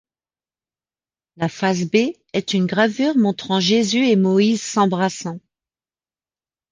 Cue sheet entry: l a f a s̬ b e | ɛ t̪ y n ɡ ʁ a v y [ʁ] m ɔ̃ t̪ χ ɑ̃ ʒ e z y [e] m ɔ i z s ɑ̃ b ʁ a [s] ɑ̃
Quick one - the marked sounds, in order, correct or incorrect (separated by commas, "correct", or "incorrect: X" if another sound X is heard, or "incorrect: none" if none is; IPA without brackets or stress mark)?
correct, correct, correct